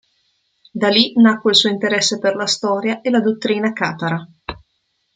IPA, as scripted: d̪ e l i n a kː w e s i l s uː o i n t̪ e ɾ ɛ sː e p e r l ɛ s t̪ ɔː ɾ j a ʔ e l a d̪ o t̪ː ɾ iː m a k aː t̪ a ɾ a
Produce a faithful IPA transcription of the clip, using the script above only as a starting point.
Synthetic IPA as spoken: d̪ a l i n a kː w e i l s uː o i n t̪ e ɾ ɛ sː e p e r l a s t̪ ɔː ɾ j a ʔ e l a d̪ o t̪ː ɾ iː n a k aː t̪ a ɾ a